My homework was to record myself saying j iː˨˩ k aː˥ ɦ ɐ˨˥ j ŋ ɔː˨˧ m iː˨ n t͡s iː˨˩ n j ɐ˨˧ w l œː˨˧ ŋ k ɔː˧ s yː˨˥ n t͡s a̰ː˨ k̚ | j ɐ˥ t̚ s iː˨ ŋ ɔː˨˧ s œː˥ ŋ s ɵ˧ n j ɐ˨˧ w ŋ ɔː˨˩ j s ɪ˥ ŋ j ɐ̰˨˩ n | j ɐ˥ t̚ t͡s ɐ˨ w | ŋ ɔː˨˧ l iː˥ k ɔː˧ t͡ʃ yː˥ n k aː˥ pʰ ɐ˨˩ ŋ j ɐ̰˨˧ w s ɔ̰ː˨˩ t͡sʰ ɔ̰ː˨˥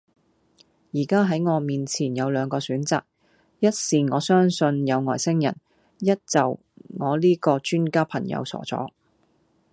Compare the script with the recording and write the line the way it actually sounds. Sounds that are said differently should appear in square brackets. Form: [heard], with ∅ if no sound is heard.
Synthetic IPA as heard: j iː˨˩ k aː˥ ɦ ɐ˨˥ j ŋ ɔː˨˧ m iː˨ n [t͡sʰ] iː˨˩ n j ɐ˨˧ w l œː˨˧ ŋ k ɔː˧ s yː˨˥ n t͡s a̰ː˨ k̚ | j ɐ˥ t̚ s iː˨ ŋ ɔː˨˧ s œː˥ ŋ s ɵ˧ n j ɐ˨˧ w ŋ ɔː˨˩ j s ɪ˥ ŋ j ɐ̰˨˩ n | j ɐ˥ t̚ t͡s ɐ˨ w | ŋ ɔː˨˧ l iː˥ k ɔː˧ t͡ʃ yː˥ n k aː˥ pʰ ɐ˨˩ ŋ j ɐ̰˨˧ w s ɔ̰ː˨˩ [t͡s] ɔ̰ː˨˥